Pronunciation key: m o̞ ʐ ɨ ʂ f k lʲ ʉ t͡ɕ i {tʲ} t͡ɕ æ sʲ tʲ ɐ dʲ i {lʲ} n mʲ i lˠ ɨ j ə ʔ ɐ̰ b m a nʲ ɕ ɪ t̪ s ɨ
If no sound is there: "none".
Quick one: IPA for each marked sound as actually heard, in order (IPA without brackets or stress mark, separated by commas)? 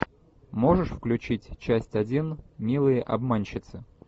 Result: tʲ, none